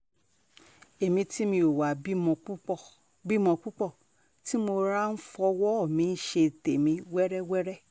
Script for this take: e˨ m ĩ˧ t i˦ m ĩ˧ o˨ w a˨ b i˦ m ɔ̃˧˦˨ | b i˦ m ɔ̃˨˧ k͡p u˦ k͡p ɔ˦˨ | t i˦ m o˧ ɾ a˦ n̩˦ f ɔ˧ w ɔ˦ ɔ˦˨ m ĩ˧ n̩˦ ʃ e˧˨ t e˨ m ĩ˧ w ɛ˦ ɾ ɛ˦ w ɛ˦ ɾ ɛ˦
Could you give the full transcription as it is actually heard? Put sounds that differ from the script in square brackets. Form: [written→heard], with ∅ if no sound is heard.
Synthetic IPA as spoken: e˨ m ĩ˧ t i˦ m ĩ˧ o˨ w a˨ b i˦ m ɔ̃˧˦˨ | b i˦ m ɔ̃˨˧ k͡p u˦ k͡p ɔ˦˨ | t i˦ m o˧ ɾ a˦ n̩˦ f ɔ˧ w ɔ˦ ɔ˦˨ m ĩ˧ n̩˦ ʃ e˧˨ t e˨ m ĩ˧ w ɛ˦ ɾ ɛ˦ w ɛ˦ ɾ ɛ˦